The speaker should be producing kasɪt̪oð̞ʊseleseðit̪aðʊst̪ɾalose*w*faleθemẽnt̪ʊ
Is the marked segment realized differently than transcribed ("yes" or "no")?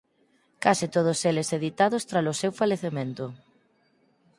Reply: no